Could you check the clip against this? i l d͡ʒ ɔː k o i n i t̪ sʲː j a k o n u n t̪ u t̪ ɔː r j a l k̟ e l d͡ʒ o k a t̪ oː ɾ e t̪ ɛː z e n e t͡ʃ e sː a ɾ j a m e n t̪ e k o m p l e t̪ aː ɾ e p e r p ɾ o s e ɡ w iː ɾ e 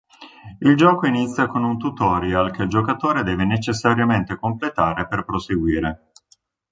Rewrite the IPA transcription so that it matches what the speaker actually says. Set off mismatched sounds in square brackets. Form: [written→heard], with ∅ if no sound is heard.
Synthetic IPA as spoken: i l d͡ʒ ɔː k o i n i t̪ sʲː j a k o n u n t̪ u t̪ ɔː [r→ɾ] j a l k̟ e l d͡ʒ o k a t̪ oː ɾ e [t̪→d̪] ɛː [z→v] e n e t͡ʃ e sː a ɾ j a m e n t̪ e k o m p l e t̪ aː ɾ e p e r p ɾ o s e ɡ w iː ɾ e

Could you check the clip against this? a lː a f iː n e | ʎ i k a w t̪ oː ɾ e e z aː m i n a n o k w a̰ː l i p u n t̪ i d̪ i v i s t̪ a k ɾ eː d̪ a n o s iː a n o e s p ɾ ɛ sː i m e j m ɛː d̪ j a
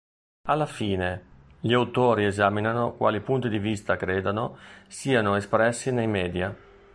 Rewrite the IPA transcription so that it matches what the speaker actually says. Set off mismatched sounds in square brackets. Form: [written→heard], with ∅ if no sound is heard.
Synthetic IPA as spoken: a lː a f iː n e | ʎ i [k→∅] a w t̪ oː ɾ [e→i] e z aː m i n a n o k w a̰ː l i p u n t̪ i d̪ i v i s t̪ a k ɾ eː d̪ a n o s iː a n o e s p ɾ ɛ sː i [m→n] e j m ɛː d̪ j a

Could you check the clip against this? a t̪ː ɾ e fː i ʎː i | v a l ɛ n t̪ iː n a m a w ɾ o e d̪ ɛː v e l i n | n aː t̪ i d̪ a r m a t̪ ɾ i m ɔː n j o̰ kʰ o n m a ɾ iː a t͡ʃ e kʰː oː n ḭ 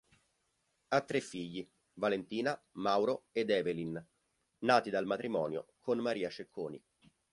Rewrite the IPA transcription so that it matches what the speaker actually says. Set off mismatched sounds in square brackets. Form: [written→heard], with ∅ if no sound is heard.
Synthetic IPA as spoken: a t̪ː ɾ e fː i ʎː i | v a l [ɛ→e] n t̪ iː n a m a w ɾ o e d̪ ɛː v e l i n | n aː t̪ i d̪ a [r→l] m a t̪ ɾ i m ɔː n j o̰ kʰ o n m a ɾ iː a t͡ʃ e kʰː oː n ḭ

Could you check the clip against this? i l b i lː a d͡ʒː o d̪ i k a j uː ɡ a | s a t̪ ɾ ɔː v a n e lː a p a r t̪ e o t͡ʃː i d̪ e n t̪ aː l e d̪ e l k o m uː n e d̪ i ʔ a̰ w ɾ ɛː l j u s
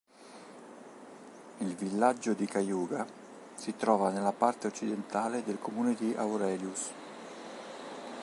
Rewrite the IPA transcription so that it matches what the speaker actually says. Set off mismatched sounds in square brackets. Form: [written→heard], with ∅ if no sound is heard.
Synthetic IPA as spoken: i l [b→v] i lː a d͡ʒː o d̪ i k a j uː ɡ a | s [a→i] t̪ ɾ ɔː v a n e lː a p a r t̪ e o t͡ʃː i d̪ e n t̪ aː l e d̪ e l k o m uː n e d̪ i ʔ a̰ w ɾ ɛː l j u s

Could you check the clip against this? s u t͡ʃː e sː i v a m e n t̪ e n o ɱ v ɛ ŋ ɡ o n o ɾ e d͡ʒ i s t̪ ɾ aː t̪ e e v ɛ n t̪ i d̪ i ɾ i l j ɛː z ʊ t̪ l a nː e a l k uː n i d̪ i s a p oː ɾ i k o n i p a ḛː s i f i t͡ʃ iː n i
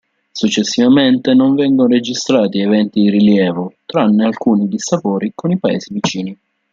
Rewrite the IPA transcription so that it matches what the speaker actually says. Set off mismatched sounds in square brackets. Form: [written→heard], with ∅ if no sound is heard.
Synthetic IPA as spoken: s u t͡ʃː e sː i v a m e n t̪ e n o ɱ v ɛ ŋ ɡ o n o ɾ e d͡ʒ i s t̪ ɾ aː t̪ [e→i] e v ɛ n t̪ i d̪ i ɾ i l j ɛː [z→v] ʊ t̪ [l→ɾ] a nː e a l k uː n i d̪ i s a p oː ɾ i k o n i p a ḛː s i [f→v] i t͡ʃ iː n i

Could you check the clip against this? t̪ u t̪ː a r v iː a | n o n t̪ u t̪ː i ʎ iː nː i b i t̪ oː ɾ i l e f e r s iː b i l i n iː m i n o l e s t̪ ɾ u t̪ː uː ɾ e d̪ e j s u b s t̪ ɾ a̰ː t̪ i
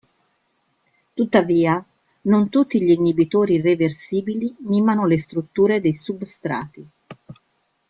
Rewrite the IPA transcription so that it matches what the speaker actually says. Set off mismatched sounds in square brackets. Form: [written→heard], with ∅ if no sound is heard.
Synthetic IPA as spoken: t̪ u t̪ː a [r→∅] v iː a | n o n t̪ u t̪ː i ʎ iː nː i b i t̪ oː ɾ i [l→r] e [f→v] e r s iː b i l i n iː m [i→a] n o l e s t̪ ɾ u t̪ː uː ɾ e d̪ e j s u b s t̪ ɾ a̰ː t̪ i

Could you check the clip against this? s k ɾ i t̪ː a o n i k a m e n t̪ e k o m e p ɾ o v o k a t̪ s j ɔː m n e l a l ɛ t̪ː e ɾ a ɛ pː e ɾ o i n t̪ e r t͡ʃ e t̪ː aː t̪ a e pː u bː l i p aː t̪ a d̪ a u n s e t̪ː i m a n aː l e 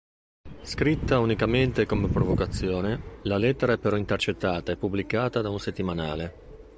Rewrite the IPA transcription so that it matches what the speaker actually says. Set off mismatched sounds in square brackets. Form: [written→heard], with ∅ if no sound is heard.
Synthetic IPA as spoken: s k ɾ i t̪ː a [o→u] n i k a m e n t̪ e k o m e p ɾ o v o k a t̪ [s→sː] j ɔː [m→∅] n e l a l ɛ t̪ː e ɾ a ɛ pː e ɾ [o→ɔ] i n t̪ e r t͡ʃ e t̪ː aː t̪ a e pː u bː l i [p→k] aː t̪ a d̪ a u n s e t̪ː i m a n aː l e

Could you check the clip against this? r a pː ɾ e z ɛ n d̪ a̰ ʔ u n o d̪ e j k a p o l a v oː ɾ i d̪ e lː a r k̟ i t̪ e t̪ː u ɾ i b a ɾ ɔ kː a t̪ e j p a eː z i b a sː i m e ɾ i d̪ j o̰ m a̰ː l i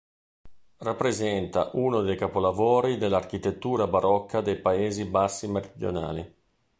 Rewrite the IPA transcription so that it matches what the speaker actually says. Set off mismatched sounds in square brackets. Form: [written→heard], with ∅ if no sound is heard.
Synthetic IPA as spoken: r a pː ɾ e z ɛ n [d̪→t̪] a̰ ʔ u n o d̪ e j k a p o l a v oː ɾ i d̪ e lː a r k̟ i t̪ e t̪ː [u→uː] ɾ [i→a] b a ɾ ɔ kː a [t̪→d̪] e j p a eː z i b a sː i m e ɾ i d̪ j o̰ [m→n] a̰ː l i

